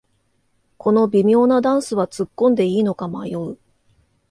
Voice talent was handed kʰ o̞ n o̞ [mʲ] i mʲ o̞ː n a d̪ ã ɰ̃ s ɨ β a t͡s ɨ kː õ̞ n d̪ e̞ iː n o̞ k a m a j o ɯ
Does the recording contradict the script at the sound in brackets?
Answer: yes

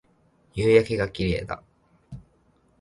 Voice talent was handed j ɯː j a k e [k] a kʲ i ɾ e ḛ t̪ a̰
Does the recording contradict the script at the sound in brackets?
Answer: yes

